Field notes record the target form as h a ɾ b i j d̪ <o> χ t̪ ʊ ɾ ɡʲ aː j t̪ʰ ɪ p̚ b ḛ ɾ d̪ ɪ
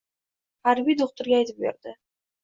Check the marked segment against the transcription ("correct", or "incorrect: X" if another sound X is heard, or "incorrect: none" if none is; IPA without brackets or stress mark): correct